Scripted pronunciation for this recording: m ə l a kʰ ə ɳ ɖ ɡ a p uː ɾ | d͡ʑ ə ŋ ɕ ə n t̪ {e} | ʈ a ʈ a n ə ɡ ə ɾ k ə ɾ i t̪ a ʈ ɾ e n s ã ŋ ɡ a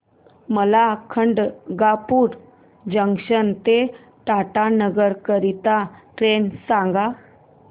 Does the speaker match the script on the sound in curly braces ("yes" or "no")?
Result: yes